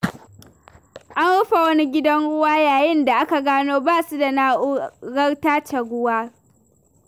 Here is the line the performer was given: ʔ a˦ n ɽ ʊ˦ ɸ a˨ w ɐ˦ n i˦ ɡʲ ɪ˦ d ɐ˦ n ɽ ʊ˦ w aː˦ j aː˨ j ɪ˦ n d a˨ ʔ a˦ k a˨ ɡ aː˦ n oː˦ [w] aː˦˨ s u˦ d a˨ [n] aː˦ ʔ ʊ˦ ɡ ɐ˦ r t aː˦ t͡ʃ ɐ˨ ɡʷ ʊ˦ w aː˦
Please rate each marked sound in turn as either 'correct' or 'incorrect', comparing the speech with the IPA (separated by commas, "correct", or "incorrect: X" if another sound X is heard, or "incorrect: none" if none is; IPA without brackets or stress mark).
incorrect: b, correct